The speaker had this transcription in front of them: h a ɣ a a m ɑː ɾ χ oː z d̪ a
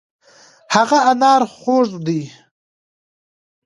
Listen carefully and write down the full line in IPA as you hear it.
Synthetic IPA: h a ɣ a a n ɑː ɾ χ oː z d̪ i